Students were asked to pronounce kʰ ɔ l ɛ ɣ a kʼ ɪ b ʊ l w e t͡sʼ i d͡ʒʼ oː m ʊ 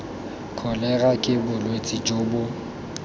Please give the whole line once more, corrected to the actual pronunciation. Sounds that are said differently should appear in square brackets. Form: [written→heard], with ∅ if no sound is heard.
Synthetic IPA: kʰ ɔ l ɛ ɣ a kʼ ɪ b ʊ l w e t͡sʼ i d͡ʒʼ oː [m→b] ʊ